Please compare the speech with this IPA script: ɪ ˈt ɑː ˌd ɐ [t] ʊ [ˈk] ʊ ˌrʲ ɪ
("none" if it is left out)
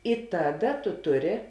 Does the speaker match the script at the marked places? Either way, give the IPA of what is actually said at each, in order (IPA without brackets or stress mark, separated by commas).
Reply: t, t